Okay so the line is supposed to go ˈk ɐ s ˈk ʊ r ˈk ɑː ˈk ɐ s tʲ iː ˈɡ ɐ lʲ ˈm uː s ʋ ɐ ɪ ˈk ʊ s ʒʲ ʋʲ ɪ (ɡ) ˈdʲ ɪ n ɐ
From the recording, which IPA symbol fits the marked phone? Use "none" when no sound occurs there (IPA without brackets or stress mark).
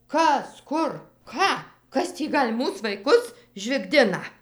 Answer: ɡ